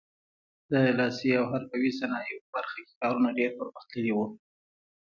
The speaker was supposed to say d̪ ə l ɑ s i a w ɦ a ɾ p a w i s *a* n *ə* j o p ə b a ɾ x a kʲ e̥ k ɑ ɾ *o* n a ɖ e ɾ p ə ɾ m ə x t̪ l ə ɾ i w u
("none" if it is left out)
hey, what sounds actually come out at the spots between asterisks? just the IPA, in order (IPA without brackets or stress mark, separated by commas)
a, ɑ, u